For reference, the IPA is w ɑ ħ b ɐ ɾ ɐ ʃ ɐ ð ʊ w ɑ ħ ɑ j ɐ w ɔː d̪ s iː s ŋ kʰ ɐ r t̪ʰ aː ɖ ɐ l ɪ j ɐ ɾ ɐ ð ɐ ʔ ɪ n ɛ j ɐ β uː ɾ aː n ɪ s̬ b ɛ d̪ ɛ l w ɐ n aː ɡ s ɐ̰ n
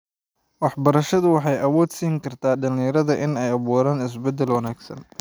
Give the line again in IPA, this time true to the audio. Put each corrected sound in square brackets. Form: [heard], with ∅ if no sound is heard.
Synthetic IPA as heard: w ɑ ħ b ɐ ɾ ɐ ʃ ɐ ð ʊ w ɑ ħ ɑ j ɐ w ɔː d̪ s iː [∅] ŋ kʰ ɐ r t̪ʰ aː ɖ ɐ l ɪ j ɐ ɾ ɐ ð ɐ ʔ ɪ n ɛ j ɐ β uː ɾ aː n ɪ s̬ b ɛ d̪ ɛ l w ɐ n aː ɡ s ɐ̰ n